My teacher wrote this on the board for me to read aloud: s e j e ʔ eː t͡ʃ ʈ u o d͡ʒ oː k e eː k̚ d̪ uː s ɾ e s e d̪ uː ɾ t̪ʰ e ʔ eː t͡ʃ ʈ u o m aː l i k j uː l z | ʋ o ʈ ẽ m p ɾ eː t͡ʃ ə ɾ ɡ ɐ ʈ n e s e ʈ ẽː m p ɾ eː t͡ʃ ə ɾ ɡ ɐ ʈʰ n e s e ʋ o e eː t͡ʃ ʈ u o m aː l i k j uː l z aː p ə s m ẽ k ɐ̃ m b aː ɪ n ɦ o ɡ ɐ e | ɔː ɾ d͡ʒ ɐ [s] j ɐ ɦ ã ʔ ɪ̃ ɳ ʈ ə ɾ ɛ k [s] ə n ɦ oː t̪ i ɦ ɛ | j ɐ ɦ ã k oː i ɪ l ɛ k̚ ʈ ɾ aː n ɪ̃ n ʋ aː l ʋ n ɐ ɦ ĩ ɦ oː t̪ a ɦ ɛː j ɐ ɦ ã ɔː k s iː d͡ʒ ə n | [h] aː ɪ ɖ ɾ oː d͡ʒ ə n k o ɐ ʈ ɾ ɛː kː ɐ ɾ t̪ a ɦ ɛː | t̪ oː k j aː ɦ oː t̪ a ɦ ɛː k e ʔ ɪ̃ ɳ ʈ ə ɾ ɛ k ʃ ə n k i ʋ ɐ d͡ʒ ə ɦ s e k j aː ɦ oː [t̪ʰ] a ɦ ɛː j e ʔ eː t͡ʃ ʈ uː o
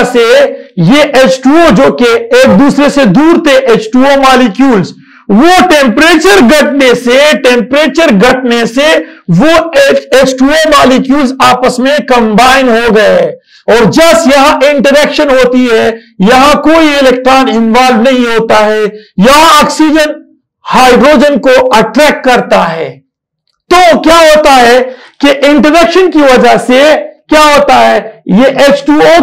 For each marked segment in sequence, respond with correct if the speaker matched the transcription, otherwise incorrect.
correct, incorrect: ʃ, correct, incorrect: t̪

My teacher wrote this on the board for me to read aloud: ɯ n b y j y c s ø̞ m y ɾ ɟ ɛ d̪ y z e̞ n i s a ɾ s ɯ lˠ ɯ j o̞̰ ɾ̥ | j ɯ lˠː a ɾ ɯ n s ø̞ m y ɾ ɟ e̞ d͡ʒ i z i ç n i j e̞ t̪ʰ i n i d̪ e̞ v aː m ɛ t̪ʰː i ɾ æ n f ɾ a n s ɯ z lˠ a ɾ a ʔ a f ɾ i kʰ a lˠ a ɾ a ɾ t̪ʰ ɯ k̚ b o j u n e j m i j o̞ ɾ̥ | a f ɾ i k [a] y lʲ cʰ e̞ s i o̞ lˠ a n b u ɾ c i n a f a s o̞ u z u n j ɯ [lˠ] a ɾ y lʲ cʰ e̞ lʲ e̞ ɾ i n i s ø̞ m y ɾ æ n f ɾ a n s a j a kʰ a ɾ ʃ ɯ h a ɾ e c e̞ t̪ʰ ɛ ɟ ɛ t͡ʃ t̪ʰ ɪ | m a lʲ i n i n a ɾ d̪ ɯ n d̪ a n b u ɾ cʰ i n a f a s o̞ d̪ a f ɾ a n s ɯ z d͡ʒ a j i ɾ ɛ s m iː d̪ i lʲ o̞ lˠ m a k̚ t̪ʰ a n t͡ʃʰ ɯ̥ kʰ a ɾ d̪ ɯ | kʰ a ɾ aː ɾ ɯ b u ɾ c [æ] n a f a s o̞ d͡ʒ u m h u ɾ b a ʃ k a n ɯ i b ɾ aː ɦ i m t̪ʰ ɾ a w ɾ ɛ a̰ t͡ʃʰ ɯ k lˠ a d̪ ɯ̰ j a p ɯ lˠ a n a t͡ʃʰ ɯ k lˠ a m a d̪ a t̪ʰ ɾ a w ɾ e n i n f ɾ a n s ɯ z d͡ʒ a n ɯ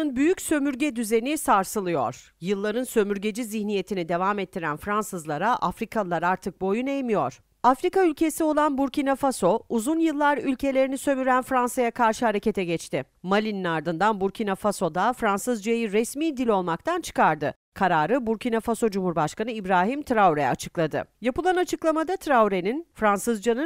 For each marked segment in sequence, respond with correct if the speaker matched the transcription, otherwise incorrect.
correct, incorrect: lˠː, incorrect: i

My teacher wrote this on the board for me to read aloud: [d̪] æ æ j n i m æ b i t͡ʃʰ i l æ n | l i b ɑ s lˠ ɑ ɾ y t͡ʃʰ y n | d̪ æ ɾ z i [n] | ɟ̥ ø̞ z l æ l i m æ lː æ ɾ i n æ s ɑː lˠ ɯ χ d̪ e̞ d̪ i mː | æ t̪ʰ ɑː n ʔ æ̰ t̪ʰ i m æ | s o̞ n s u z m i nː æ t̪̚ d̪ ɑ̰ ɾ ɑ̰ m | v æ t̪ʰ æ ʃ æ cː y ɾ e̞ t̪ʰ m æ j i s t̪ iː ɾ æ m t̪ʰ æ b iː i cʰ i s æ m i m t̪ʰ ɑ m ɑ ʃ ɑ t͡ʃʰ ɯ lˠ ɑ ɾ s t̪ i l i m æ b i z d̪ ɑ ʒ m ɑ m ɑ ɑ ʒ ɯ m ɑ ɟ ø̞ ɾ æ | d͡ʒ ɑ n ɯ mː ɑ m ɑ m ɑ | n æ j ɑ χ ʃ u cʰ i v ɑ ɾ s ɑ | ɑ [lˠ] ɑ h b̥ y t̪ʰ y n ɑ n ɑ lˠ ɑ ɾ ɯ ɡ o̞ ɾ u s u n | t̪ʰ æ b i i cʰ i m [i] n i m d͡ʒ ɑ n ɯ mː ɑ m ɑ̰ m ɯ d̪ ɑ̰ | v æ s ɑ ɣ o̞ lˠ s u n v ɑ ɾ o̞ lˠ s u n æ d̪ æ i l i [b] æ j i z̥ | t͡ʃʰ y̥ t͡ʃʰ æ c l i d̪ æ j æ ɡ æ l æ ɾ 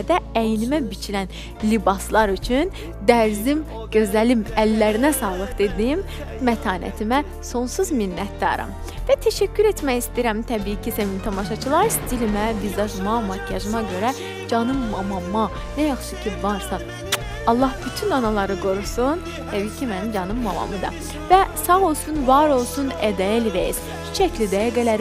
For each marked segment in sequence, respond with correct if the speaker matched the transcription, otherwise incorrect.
correct, incorrect: m, incorrect: lˠː, incorrect: æ, incorrect: v

